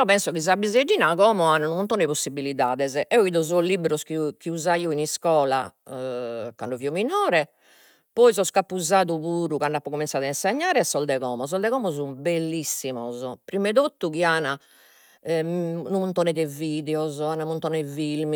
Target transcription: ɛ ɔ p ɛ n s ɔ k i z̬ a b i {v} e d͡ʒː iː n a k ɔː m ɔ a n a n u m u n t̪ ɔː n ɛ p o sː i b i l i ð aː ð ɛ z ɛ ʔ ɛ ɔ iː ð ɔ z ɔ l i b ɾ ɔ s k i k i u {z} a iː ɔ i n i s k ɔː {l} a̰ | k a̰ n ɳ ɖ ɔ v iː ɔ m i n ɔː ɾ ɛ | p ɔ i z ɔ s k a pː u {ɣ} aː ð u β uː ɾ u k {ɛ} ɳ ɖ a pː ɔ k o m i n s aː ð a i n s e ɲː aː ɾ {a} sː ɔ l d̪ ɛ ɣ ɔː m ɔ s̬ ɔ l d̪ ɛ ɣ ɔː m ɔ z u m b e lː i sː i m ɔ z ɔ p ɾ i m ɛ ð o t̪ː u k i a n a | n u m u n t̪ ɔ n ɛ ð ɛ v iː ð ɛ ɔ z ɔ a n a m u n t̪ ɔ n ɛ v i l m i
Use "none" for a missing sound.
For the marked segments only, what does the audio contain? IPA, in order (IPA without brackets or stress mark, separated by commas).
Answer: z, z, l, z, a, ɛ